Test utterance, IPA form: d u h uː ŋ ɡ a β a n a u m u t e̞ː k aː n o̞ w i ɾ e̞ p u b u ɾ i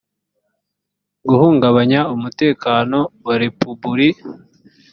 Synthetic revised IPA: ɡ u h uː ŋ ɡ a β a ɲ a u m u t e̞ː k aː n o̞ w a ɾ e̞ p u b u ɾ i